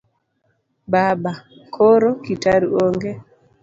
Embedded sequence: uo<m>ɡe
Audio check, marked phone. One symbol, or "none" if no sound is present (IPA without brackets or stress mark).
ŋ